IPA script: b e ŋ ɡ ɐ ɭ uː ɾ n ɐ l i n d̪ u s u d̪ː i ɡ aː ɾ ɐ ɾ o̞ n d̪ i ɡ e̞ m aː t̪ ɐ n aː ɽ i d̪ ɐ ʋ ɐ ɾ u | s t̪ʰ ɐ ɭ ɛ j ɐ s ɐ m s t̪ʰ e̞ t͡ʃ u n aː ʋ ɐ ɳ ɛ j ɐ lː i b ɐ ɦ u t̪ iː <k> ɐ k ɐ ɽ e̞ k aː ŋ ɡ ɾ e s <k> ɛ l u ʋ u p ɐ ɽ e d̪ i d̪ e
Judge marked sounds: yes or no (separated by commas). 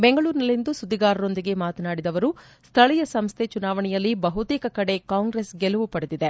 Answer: yes, no